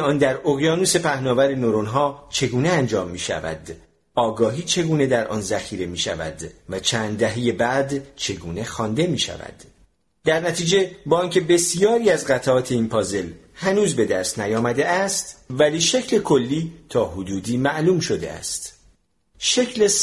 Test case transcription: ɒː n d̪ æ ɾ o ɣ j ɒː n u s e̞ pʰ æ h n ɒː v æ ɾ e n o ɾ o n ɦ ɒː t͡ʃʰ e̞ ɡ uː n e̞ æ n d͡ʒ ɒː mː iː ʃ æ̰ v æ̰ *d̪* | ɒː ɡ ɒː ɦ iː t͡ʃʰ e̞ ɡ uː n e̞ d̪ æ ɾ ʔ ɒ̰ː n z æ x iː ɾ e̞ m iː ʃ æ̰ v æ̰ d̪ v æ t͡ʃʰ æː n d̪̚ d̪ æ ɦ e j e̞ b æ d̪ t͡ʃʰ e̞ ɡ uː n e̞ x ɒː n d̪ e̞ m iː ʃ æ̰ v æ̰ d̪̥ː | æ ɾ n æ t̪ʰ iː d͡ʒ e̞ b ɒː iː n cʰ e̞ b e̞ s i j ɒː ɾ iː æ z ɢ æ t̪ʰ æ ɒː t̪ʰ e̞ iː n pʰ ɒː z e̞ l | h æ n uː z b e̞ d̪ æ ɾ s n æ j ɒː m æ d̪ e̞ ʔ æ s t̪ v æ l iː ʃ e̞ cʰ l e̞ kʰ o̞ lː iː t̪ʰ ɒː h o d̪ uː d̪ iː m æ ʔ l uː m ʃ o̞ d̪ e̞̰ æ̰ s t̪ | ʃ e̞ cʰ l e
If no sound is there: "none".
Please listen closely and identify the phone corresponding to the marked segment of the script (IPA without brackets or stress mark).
d̪